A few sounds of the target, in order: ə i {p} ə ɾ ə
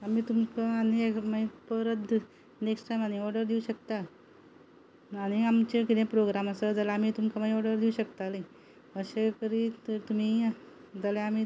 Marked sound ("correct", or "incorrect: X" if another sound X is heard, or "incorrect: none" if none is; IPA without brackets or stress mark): correct